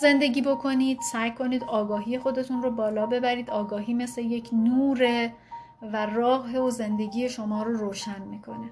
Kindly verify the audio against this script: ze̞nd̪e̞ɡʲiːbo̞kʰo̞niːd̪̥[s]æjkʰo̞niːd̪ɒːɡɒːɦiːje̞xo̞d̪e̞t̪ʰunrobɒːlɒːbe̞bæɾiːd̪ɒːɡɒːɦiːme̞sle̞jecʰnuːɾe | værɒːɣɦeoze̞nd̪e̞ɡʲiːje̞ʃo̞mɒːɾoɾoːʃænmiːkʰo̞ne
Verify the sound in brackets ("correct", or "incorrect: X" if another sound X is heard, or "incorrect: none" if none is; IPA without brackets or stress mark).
correct